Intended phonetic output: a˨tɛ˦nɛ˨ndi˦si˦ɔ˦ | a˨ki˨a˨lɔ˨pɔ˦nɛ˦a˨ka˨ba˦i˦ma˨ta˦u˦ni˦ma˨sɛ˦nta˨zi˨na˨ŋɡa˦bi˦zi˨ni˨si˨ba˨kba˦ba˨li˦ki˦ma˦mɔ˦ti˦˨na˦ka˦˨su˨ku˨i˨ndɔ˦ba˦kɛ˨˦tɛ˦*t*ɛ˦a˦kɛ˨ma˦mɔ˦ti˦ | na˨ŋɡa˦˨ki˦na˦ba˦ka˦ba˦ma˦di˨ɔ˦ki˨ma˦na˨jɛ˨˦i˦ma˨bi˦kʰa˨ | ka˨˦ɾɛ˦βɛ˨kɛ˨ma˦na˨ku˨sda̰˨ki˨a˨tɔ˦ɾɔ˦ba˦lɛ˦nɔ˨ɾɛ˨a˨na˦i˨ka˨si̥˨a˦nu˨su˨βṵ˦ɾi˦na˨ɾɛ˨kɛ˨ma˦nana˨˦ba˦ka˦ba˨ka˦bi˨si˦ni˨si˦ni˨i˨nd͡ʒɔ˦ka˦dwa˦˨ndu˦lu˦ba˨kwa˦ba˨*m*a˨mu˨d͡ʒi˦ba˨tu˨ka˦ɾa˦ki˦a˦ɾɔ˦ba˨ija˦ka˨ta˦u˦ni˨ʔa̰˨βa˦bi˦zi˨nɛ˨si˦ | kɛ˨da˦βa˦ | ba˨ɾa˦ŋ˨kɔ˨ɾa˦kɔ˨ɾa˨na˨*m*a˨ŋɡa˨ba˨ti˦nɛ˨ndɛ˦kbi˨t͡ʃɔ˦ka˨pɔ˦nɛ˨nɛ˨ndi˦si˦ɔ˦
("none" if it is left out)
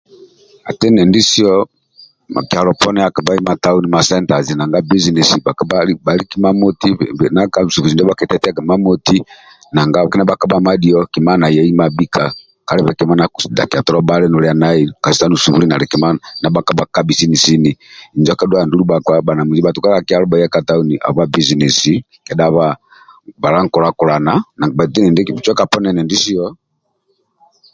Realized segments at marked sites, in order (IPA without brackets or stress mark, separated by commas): t, n, n